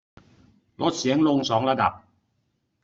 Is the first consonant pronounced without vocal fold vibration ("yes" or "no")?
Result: no